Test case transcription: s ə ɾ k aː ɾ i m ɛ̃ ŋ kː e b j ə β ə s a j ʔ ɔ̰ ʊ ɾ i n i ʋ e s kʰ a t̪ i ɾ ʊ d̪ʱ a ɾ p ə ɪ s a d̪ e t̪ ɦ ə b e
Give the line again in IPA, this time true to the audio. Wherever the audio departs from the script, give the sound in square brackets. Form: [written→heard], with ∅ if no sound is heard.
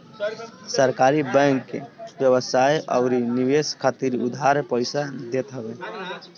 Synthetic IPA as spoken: s ə ɾ k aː ɾ i [m→b] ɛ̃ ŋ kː e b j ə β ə s a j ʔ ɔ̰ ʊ ɾ i n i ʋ e s kʰ a t̪ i ɾ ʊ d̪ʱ a ɾ p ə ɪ s a d̪ e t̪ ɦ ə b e